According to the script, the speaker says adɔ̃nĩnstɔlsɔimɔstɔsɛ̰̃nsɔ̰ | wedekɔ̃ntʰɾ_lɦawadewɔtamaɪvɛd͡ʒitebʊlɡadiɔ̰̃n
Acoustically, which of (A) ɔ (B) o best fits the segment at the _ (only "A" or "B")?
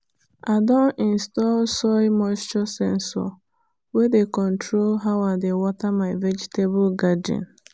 B